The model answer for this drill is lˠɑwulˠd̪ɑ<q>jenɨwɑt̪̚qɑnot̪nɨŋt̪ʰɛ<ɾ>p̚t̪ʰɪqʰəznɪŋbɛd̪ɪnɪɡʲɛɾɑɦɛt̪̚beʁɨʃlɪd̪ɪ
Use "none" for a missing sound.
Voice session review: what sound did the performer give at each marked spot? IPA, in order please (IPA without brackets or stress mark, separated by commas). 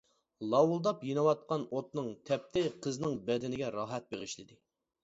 p, none